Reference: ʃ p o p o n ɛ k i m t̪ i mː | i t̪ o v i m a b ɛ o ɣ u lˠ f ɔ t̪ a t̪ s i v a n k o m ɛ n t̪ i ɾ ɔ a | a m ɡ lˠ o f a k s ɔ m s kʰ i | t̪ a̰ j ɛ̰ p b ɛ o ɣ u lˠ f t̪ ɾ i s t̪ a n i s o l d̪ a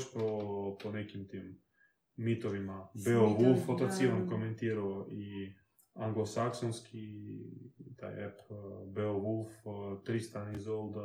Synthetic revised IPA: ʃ p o p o n ɛ k i m t̪ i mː | i t̪ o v i m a b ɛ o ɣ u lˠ f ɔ t̪ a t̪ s i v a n k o m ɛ n t̪ i ɾ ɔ i | a ŋ ɡ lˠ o s a k s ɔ n s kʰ i | t̪ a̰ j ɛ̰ p b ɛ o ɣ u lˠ f t̪ ɾ i s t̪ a n i z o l d̪ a